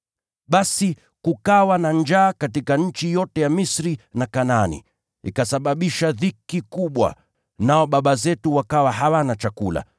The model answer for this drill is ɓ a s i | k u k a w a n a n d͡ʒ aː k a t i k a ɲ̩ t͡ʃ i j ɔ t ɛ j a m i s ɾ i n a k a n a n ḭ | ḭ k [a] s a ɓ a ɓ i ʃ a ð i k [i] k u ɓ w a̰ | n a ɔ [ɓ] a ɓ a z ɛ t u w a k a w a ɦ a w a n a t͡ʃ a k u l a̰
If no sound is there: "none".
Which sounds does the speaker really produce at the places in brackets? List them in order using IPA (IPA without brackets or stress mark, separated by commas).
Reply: a, i, ɓ